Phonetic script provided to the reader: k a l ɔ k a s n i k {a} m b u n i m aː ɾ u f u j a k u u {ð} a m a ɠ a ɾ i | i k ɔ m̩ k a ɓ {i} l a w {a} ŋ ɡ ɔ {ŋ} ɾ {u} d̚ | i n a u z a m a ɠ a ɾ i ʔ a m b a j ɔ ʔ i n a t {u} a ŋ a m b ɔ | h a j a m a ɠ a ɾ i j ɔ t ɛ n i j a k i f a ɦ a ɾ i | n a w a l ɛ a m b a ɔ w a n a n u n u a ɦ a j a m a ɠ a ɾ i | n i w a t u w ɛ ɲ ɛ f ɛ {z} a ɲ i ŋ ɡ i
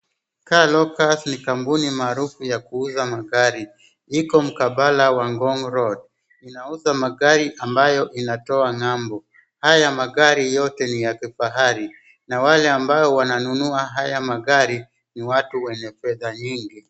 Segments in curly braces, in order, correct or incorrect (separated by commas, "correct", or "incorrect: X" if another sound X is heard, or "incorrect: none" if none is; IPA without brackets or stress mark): correct, incorrect: z, incorrect: a, correct, correct, incorrect: ɔ, incorrect: ɔ, incorrect: ð